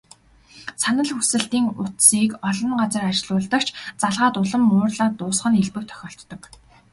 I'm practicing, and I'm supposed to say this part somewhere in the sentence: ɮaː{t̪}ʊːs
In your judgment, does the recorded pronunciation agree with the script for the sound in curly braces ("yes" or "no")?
yes